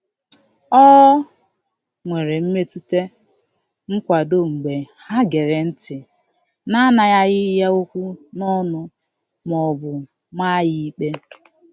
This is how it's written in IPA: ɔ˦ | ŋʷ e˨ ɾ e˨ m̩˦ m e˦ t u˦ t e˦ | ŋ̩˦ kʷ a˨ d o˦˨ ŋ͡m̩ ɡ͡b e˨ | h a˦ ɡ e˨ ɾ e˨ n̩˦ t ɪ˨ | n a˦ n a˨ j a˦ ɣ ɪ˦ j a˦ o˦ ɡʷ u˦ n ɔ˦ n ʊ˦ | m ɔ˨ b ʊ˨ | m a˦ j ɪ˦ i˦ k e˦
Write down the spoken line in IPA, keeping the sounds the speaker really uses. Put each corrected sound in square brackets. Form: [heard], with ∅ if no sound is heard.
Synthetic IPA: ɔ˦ | ŋʷ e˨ ɾ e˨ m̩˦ m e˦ t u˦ t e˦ | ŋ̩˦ kʷ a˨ d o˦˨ ŋ͡m̩ ɡ͡b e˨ | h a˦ ɡ e˨ ɾ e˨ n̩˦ t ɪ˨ | n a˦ n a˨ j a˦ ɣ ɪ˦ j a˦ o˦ [kʷ] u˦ n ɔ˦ n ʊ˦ | m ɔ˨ b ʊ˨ | m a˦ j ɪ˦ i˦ [k͡p] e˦